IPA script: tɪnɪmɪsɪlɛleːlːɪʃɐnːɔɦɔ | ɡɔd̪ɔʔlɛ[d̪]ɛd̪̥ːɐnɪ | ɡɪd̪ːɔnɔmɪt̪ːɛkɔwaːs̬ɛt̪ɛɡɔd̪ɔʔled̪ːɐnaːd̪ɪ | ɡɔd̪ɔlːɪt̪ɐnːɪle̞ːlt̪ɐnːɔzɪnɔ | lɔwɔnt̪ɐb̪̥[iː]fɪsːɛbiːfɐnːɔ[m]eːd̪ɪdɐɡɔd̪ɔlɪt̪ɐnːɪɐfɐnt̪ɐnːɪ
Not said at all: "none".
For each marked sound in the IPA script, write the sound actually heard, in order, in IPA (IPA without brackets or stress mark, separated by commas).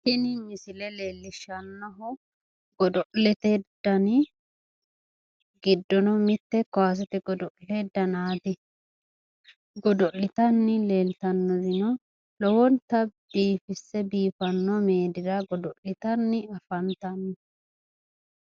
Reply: t̪, iː, m